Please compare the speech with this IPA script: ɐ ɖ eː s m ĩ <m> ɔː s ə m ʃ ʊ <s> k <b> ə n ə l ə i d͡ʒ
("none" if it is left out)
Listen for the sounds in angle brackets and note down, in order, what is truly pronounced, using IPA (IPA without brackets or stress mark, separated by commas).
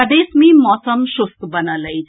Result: m, s, b